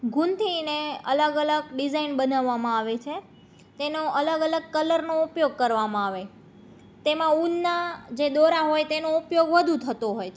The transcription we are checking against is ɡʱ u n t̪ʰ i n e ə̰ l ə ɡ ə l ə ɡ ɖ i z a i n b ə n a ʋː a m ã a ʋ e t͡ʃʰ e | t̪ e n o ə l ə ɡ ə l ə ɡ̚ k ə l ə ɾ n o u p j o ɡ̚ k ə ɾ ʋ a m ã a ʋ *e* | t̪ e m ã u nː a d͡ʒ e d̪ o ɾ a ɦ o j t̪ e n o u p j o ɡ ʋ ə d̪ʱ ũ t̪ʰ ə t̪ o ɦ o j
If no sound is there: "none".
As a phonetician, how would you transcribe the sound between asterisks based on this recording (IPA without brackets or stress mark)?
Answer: e